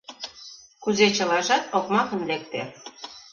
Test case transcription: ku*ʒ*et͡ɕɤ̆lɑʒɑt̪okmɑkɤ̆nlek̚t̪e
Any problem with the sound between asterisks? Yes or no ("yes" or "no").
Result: yes